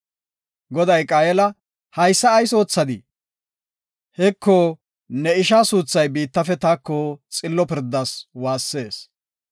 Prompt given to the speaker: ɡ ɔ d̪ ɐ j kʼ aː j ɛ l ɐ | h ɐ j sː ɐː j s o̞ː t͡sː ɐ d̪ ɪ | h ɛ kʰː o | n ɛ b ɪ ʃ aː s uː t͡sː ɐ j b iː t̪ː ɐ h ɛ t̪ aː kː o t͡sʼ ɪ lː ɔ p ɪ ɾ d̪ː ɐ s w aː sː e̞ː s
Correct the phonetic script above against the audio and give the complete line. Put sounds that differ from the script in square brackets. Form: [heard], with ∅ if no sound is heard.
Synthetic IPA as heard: ɡ ɔ d̪ ɐ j kʼ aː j ɛ l ɐ | h ɐ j sː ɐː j s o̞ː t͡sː ɐ d̪ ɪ | h ɛ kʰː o | n ɛ [∅] ɪ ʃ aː s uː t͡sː ɐ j b iː t̪ː ɐ [f] ɛ t̪ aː kː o t͡sʼ ɪ lː ɔ p ɪ ɾ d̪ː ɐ s w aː sː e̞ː s